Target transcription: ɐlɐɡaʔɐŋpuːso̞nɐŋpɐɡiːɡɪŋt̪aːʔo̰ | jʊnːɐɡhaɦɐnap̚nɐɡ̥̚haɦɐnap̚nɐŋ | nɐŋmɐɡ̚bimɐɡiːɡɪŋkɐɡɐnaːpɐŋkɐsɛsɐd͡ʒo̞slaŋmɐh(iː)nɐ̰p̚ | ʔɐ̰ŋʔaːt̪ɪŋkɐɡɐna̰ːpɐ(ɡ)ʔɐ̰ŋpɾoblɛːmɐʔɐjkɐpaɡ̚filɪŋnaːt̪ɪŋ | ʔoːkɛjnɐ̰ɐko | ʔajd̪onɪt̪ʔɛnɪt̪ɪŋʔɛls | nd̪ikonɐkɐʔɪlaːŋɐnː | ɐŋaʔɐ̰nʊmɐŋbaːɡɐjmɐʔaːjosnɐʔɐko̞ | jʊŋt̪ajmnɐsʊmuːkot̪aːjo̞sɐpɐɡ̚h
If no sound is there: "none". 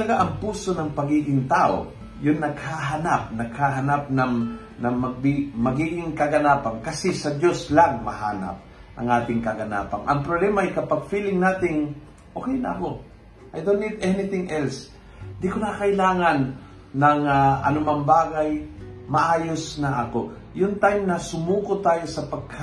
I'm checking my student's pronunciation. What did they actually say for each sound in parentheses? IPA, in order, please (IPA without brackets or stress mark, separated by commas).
aː, ŋ